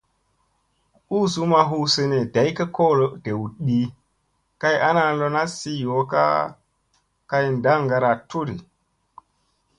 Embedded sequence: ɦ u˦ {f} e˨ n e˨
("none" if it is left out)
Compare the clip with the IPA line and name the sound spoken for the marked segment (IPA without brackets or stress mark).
s